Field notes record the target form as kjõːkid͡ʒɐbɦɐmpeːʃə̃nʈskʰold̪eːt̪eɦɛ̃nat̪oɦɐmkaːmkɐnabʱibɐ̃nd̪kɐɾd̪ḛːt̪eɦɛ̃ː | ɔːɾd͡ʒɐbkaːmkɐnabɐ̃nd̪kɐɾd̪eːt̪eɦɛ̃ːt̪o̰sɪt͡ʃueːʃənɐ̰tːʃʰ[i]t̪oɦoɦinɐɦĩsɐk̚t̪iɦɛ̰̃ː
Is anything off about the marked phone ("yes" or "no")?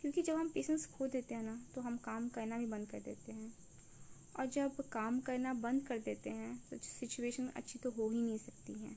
no